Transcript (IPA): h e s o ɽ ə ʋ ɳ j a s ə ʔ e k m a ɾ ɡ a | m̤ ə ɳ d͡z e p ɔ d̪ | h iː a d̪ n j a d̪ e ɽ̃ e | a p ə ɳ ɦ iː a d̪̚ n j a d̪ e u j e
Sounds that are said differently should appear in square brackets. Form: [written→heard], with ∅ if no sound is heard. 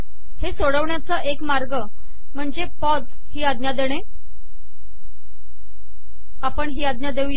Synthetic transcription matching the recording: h e s o ɽ ə ʋ ɳ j a [s→t͡s] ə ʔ e k m a ɾ ɡ [a→ə] | m̤ ə ɳ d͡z e p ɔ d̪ | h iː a d̪ n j a d̪ e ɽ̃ e | a p ə ɳ ɦ iː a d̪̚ n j a d̪ e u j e